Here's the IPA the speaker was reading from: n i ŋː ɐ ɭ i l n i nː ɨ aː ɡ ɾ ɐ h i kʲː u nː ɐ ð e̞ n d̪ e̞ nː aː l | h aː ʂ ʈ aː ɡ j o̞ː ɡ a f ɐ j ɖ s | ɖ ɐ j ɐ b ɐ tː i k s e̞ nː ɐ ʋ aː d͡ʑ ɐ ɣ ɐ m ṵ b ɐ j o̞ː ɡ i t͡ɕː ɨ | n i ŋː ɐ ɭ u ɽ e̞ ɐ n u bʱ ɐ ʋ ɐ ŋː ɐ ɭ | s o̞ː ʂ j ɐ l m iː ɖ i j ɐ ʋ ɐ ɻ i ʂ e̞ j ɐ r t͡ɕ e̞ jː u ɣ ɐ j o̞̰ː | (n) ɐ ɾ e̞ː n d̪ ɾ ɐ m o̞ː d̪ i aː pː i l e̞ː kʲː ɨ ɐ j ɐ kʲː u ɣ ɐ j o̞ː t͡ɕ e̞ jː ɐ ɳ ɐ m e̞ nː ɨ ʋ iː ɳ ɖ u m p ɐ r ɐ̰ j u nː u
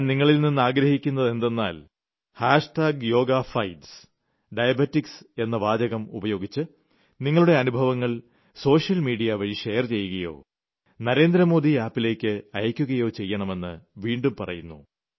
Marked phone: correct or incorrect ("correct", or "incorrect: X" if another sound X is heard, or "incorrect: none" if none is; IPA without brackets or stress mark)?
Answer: correct